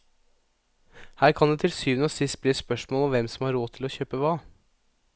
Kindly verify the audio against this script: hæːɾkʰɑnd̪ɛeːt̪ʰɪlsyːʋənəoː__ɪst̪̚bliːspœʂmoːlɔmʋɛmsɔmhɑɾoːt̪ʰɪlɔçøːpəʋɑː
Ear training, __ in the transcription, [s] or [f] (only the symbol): s